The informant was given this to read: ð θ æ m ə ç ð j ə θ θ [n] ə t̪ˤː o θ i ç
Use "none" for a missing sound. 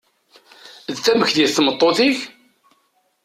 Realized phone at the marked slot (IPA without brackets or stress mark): m